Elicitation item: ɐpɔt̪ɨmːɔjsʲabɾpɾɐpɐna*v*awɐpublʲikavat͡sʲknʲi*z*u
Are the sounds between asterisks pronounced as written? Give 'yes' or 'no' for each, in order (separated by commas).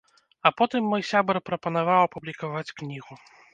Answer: yes, no